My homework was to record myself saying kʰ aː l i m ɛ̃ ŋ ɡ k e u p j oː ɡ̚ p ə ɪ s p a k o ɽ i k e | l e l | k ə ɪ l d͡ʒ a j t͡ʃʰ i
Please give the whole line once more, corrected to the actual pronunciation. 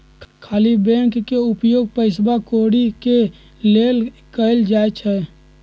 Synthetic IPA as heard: kʰ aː l i b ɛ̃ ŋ k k e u p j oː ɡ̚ p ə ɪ s b a k o ɽ i k e | l e l | k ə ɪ l d͡ʒ a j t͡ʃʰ ɛ